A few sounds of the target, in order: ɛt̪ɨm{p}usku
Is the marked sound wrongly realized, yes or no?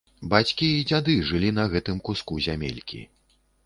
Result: yes